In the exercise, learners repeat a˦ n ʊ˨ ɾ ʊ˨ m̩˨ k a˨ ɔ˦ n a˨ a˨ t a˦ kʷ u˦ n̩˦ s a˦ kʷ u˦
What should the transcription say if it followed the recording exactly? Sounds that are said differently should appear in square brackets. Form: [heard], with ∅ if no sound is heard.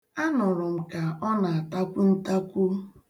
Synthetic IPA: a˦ n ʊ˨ ɾ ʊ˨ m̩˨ k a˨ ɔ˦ n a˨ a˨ t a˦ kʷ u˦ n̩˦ [t] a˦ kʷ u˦